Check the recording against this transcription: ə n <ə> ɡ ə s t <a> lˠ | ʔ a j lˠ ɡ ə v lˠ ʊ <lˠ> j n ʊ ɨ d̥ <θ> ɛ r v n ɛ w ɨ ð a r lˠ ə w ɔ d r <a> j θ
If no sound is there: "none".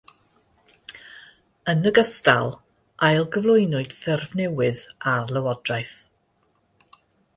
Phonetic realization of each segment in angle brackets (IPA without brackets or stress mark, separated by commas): ə, a, none, θ, a